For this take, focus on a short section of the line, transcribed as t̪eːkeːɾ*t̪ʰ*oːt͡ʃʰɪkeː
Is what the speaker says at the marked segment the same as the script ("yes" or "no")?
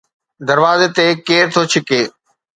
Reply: yes